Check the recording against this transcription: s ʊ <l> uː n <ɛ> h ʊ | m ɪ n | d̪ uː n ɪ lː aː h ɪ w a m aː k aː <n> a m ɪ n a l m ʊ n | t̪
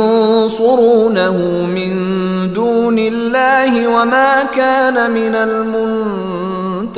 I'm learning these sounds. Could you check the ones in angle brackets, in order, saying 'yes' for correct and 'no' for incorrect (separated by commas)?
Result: no, no, yes